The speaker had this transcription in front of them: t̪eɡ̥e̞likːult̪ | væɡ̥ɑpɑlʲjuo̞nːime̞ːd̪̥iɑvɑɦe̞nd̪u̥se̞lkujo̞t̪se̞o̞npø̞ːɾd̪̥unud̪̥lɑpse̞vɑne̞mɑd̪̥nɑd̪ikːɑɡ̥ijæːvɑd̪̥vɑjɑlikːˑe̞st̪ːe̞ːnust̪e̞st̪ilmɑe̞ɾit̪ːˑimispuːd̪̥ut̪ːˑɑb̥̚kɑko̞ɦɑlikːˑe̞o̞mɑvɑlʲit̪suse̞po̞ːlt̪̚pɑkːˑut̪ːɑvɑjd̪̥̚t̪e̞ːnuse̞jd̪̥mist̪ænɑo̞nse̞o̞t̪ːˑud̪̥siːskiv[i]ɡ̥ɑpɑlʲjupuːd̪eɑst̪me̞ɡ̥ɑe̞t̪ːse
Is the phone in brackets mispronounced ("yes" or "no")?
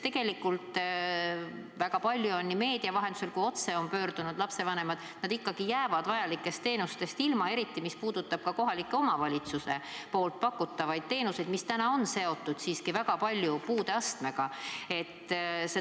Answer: yes